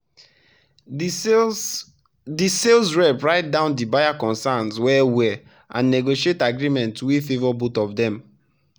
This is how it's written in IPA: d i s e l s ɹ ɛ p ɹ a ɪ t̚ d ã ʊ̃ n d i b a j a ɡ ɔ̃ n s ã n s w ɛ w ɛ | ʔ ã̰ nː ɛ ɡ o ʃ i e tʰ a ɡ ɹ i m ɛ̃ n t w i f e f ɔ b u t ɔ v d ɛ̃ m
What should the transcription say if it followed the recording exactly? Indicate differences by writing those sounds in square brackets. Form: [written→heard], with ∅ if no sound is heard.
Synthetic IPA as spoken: d i s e l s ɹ ɛ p ɹ a ɪ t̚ d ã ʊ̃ n d i b a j a [ɡ→k] ɔ̃ n s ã n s w ɛ w ɛ | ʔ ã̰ nː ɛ ɡ o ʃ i e [tʰ→t] a ɡ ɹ i m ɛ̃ n t w i f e [f→v] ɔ b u t ɔ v d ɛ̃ m